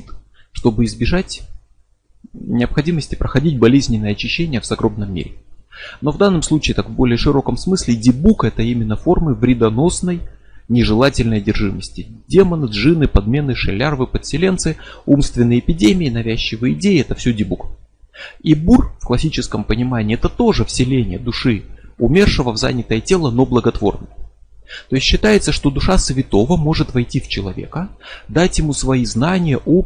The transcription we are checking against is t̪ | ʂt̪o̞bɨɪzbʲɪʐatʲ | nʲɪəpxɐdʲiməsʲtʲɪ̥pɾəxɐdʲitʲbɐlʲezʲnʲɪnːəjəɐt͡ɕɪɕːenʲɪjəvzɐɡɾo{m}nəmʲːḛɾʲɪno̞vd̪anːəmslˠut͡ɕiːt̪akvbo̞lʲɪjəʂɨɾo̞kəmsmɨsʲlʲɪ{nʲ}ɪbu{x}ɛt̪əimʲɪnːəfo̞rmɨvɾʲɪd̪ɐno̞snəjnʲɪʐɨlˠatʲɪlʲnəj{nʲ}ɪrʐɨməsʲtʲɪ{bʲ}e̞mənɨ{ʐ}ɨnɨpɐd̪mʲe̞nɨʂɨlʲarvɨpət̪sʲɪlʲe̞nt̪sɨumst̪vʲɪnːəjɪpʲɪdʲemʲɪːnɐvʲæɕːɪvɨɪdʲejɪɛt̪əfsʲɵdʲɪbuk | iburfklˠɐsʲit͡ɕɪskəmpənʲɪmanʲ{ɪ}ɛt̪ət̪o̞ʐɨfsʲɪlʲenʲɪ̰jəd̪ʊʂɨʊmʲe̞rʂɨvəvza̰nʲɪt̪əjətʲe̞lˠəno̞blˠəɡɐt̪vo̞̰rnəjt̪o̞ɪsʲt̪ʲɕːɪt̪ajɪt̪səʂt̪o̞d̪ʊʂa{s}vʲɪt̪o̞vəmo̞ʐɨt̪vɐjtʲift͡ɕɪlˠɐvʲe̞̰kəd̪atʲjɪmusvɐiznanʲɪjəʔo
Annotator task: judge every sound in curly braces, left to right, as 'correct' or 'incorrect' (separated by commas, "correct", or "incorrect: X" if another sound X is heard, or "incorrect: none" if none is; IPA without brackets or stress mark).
incorrect: b, incorrect: dʲ, incorrect: k, incorrect: dʲ, incorrect: dʲ, correct, incorrect: ɪː, correct